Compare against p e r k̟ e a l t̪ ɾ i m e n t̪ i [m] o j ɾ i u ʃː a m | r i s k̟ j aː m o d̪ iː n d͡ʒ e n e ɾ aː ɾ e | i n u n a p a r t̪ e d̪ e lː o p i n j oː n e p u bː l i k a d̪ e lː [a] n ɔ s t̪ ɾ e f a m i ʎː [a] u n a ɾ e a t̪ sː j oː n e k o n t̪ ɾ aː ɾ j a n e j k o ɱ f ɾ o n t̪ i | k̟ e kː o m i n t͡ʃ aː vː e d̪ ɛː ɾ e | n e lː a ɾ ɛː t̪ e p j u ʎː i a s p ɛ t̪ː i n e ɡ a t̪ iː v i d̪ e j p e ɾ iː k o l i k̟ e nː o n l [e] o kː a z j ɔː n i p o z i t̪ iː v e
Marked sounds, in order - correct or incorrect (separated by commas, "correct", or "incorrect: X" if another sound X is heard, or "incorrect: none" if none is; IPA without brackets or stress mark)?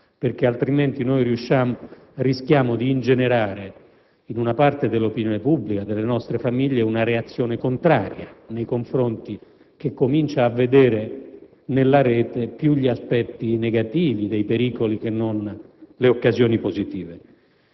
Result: incorrect: n, incorrect: e, incorrect: e, correct